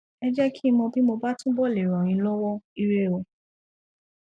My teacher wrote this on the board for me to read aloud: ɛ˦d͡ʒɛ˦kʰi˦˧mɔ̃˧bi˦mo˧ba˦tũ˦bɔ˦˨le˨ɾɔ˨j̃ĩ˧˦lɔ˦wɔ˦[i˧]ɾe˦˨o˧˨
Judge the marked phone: correct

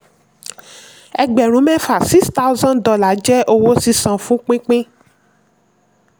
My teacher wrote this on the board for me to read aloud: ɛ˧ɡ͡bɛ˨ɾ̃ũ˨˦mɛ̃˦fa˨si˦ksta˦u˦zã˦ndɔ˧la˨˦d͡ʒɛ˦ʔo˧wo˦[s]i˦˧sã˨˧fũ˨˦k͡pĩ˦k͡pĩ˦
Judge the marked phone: correct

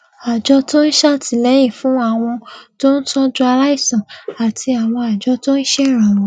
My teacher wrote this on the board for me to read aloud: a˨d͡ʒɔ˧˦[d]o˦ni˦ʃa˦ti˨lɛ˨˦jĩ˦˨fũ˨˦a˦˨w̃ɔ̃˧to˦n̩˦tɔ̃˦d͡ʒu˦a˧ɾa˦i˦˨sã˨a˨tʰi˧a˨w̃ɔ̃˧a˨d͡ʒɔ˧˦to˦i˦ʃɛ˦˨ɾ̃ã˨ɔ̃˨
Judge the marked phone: incorrect: t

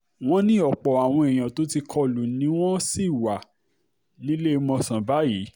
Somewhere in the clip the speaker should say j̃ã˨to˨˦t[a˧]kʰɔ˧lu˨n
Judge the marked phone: incorrect: i˧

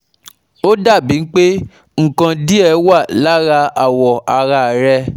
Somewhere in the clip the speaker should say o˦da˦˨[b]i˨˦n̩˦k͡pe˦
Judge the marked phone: correct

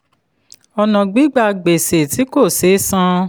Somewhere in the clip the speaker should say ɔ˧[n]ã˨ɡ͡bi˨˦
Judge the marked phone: correct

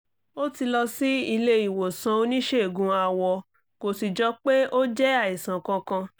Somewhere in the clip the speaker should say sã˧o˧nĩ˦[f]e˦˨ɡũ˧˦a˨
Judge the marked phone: incorrect: ʃ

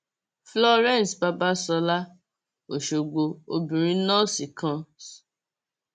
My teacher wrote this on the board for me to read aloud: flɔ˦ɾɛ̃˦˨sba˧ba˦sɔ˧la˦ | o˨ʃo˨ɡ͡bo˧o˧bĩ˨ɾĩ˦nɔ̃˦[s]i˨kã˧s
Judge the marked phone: correct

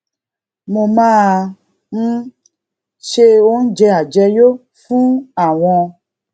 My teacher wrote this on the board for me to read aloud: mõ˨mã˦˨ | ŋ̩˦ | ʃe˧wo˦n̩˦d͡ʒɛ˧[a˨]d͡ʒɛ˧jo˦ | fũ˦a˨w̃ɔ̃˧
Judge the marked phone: correct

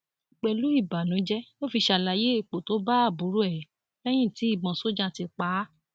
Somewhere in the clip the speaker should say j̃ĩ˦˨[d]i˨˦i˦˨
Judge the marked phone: incorrect: t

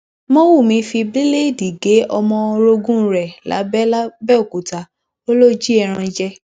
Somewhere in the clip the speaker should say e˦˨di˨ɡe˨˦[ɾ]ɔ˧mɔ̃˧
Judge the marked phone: incorrect: none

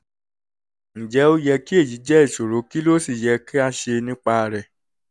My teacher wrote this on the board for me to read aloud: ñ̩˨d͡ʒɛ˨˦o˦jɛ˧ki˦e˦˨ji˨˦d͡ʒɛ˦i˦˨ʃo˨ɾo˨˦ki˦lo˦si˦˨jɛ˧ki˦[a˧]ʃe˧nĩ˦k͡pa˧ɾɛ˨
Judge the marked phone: correct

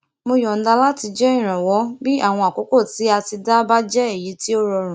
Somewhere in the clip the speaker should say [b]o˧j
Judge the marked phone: incorrect: m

